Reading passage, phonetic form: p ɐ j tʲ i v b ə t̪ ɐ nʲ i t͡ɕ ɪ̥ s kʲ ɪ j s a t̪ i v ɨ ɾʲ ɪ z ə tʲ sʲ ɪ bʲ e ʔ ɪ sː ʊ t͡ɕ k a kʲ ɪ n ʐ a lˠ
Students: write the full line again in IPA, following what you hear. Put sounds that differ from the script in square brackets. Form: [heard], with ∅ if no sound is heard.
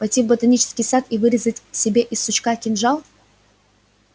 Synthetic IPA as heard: p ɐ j tʲ i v b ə t̪ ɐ nʲ i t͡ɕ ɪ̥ s kʲ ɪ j s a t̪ i v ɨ ɾʲ ɪ z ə tʲ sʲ ɪ bʲ e ʔ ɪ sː ʊ t͡ɕ k a kʲ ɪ n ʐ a lˠ